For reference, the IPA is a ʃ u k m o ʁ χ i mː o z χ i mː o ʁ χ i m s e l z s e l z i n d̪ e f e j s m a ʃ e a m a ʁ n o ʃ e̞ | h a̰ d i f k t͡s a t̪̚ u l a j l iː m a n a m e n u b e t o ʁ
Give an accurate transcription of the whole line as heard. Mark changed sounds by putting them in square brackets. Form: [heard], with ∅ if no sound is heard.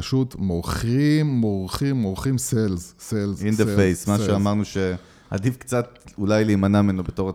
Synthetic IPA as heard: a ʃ u [t] m o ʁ χ i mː o [ʁ] χ i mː o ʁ χ i m s e l z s e l z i n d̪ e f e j s m a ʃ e a m a ʁ n [u] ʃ e̞ | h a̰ d i f k t͡s a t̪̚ u l a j l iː m a n a m e n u b e t o ʁ